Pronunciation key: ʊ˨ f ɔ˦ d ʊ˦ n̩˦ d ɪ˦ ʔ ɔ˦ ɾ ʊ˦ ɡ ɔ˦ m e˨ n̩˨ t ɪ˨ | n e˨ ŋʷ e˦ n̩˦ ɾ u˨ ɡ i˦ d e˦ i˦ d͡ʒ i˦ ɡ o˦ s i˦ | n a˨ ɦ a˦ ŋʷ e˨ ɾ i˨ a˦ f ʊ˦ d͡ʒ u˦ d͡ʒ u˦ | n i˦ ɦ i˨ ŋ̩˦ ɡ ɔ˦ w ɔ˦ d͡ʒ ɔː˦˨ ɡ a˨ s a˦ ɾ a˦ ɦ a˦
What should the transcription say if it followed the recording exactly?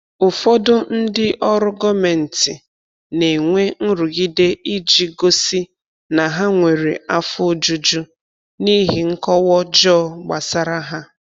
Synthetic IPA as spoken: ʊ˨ f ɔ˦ d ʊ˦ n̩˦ d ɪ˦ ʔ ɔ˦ ɾ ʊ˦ ɡ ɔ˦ m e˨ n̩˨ t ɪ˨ | n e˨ ŋʷ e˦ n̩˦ ɾ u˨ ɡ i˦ d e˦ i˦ d͡ʒ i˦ ɡ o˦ s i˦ | n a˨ ɦ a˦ ŋʷ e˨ ɾ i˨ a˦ f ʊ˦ d͡ʒ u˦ d͡ʒ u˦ | n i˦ ɦ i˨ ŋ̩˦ k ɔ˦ w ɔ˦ d͡ʒ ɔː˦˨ ɡ͡b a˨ s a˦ ɾ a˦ ɦ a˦